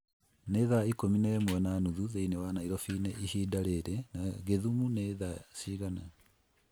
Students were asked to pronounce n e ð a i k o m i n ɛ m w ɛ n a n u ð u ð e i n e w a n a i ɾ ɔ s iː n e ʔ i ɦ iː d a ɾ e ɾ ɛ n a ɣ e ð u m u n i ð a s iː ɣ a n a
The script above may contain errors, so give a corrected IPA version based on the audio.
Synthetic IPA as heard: n e ð a i k o m i n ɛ m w ɛ n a n u ð u ð e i n e w a n a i ɾ ɔ f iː n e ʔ i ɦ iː d a ɾ e ɾ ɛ n a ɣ e ð u m u n e ð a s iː ɣ a n a